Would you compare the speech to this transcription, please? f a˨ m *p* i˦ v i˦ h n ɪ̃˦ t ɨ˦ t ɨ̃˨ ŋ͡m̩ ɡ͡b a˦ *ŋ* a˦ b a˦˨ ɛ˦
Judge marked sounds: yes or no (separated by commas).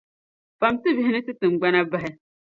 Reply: no, no